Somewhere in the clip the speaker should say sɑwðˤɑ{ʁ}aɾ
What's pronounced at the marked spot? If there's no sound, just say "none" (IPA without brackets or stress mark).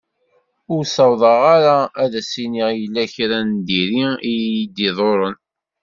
ʁ